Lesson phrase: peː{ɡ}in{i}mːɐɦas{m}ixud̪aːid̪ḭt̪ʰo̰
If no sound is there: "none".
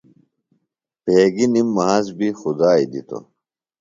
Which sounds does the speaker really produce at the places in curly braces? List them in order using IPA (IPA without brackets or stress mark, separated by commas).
ɡ, i, b